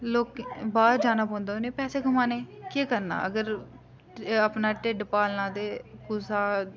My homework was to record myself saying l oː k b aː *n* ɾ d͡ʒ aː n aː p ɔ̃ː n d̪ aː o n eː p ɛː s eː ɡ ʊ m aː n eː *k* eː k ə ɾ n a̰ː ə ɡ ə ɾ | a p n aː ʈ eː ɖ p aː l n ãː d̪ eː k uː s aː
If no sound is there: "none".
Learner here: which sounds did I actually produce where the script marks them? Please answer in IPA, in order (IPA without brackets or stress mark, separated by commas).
none, k